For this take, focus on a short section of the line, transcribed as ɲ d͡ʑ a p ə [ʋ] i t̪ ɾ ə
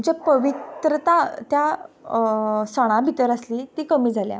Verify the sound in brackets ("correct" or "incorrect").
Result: correct